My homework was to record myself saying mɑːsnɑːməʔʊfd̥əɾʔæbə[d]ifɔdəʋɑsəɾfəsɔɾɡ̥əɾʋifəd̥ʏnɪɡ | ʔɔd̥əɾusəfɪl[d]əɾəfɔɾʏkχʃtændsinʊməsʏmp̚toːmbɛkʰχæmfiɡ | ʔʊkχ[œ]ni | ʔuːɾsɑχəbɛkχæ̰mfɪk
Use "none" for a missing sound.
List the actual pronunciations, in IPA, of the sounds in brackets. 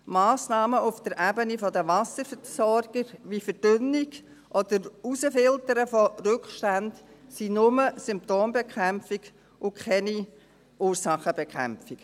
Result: n, t, ɛ

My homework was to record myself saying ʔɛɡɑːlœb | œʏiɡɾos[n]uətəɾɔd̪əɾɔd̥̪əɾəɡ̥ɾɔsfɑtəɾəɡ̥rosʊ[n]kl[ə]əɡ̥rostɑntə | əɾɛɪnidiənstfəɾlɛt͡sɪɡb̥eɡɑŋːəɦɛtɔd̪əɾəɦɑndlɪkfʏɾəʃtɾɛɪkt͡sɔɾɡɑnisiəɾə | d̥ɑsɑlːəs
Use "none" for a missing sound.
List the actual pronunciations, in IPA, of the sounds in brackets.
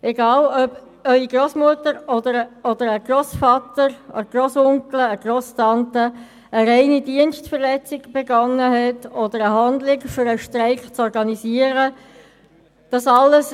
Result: m, ŋ, ə

